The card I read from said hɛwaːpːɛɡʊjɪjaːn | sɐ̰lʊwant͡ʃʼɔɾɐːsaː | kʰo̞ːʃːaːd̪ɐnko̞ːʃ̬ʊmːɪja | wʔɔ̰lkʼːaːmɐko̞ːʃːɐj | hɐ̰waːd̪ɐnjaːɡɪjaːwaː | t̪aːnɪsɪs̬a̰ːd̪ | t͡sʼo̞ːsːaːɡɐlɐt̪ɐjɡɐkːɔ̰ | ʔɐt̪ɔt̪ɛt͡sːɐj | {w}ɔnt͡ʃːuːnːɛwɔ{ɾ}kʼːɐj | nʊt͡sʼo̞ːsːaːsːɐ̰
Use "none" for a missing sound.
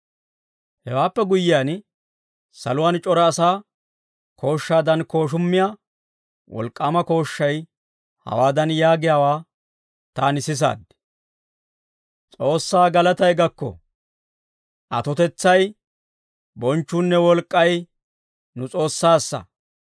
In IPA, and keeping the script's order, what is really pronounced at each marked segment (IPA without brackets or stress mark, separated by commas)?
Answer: b, l